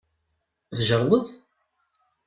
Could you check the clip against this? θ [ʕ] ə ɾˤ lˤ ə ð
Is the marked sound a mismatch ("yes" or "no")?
yes